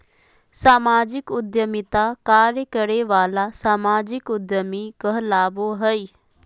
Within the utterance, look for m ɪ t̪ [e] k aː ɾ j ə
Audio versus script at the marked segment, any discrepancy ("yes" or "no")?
yes